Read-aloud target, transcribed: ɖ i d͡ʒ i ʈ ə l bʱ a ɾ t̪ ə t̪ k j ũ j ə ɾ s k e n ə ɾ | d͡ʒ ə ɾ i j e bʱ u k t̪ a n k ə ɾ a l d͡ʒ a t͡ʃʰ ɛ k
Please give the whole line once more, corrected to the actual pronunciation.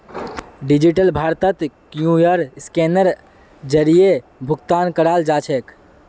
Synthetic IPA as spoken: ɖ i d͡ʒ i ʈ ə l bʱ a ɾ t̪ ə t̪ k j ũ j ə ɾ s k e n ə ɾ | d͡ʒ ə ɾ i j e bʱ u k t̪ a n k ə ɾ a l d͡ʒ a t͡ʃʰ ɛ k